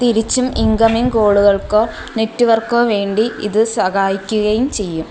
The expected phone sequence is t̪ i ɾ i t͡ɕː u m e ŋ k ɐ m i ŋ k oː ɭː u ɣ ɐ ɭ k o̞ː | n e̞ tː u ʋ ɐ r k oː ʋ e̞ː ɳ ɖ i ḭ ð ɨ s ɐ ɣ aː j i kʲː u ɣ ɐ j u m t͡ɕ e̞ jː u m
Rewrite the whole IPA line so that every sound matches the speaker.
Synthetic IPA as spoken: t̪ i ɾ i t͡ɕː u m i ŋ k ɐ m i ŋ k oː ɭ u ɣ ɐ ɭ k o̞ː | n e̞ tː u ʋ ɐ r k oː ʋ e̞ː ɳ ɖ i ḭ ð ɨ s ɐ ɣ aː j i kʲː u ɣ ɐ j u m t͡ɕ e̞ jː u m